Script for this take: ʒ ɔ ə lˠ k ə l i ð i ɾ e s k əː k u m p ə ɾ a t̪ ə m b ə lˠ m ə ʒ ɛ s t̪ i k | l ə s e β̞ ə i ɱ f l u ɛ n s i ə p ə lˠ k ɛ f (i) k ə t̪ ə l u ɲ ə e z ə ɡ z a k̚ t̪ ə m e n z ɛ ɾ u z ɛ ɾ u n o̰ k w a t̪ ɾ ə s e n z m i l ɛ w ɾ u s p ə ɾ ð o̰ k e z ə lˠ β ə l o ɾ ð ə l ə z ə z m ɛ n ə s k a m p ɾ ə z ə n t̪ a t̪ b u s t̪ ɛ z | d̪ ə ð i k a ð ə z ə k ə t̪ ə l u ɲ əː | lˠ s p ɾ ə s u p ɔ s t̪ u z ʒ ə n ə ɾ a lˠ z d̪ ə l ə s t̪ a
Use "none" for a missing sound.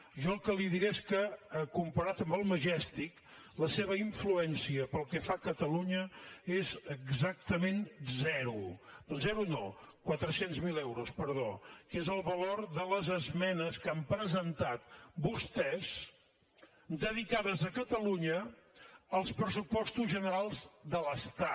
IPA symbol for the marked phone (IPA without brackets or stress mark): a